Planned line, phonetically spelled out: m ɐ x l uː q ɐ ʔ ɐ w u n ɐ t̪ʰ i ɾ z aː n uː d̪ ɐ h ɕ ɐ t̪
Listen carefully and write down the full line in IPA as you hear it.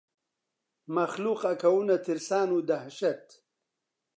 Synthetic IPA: m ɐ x l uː q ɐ k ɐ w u n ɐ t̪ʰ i ɾ s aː n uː d̪ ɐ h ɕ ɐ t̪

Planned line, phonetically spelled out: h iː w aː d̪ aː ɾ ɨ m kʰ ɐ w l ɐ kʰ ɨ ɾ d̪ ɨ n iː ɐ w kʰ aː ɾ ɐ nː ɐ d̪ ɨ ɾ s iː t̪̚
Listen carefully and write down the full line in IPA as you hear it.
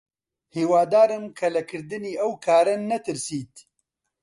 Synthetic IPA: h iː w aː d̪ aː ɾ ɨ m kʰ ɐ l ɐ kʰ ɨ ɾ d̪ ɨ n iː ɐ w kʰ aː ɾ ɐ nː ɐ t̪ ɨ ɾ s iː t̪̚

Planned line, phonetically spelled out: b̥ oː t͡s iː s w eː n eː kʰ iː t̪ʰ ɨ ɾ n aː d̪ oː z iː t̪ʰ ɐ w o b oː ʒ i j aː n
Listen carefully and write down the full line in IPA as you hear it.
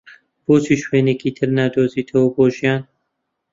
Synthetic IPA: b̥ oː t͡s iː ʃ w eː n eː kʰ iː t̪ʰ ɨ ɾ n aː d̪ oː z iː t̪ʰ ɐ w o b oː ʒ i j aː n

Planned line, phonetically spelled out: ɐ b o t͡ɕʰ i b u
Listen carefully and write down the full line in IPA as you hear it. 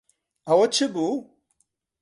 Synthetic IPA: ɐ w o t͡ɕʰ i b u

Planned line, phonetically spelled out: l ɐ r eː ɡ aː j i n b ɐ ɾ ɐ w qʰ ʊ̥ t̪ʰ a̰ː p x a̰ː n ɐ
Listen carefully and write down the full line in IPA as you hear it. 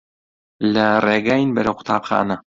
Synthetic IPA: l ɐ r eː ɡ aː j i n b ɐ ɾ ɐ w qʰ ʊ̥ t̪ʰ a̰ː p x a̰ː n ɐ

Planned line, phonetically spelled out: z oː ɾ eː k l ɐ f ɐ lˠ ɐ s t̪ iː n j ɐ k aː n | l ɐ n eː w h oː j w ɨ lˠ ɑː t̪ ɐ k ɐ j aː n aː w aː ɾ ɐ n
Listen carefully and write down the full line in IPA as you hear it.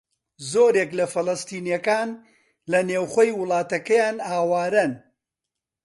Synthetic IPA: z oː ɾ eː k l ɐ f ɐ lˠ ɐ s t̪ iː n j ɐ k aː n | l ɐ n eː w χ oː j w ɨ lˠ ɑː t̪ ɐ k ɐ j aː n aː w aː ɾ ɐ n

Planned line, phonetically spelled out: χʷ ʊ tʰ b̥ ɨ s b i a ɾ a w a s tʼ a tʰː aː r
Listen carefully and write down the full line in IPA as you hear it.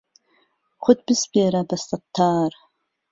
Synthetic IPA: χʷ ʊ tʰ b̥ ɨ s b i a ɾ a b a s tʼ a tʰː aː r

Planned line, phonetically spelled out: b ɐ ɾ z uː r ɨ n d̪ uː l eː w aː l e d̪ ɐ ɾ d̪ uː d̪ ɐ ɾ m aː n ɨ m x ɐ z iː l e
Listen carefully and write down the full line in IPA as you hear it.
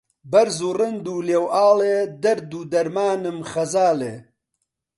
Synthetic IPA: b ɐ ɾ z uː r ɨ n d̪ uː l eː w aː l e d̪ ɐ ɾ d̪ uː d̪ ɐ ɾ m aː n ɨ m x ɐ z aː l e

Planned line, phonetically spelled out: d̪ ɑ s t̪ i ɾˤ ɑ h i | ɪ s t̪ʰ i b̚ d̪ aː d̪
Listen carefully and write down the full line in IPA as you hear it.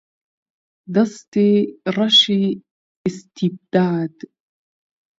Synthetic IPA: d̪ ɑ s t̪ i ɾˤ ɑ ʃ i | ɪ s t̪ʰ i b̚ d̪ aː d̪

